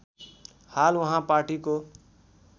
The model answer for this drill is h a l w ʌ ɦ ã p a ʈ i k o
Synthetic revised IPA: h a l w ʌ ɦ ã p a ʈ i k o

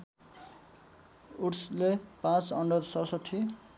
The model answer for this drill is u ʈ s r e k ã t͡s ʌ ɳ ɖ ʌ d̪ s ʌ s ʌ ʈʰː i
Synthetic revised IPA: u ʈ s l e p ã t͡s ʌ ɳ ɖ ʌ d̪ s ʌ s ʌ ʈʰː i

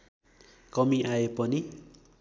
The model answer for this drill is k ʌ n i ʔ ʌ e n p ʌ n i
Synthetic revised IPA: k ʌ m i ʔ a e p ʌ n i

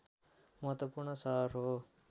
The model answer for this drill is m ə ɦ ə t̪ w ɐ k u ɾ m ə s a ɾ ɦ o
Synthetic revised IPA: m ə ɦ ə t̪ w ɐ p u ɾ ɳ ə s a ɾ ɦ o

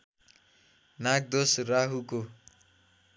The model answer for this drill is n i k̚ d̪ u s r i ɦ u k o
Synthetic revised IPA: n a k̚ d̪ o s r a ɦ u k o

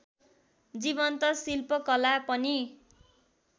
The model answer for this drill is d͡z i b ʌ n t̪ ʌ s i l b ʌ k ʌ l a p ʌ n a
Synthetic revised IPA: d͡z i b ʌ n t̪ ʌ s i l p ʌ k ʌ l a p ʌ n i

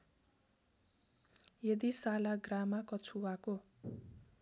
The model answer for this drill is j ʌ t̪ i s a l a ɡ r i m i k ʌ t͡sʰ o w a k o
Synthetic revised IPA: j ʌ d̪ i s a l a ɡ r a m a k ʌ t͡sʰ u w a k o

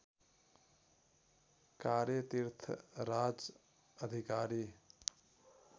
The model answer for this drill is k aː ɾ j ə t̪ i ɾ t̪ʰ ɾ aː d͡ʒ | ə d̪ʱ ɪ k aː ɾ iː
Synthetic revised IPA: k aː ɾ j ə t̪ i ɾ t̪ʰ ɾ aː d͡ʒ | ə d̪ʱ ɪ k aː ɾ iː

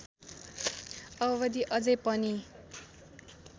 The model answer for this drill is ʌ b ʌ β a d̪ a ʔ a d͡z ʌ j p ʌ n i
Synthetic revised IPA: ʌ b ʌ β ʌ d̪ i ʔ ʌ d͡z ʌ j p ʌ n i

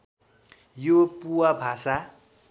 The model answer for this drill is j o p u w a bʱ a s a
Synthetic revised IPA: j o p u w a bʱ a s a

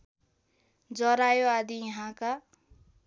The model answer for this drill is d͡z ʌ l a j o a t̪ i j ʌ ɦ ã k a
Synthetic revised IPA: d͡z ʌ ɾ a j o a d̪ i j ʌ ɦ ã k a

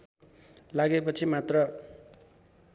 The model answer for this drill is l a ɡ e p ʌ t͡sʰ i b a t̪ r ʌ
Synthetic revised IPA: l a ɡ e p ʌ t͡sʰ i m a t̪ r ʌ

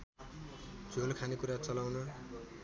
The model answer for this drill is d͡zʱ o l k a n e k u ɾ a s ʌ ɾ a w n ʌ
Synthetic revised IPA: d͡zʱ o l kʰ a n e k u ɾ a t͡s ʌ l a w n ʌ

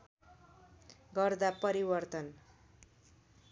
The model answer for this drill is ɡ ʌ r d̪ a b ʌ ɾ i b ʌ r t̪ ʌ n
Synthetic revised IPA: ɡ ʌ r d̪ a p ʌ ɾ i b ʌ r t̪ ʌ n

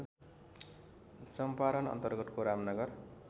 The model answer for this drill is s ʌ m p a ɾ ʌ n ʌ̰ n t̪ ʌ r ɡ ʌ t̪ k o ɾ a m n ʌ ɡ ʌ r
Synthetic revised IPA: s ʌ m p a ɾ ʌ n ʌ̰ n t̪ ʌ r ɡ ʌ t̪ k o ɾ a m n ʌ ɡ ʌ r

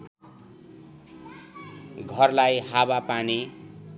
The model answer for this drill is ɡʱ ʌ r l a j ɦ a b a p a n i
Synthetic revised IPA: ɡʱ ʌ r l a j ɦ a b a p a n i

